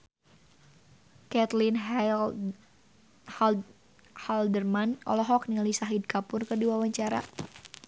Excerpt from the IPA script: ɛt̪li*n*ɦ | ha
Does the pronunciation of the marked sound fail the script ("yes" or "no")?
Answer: no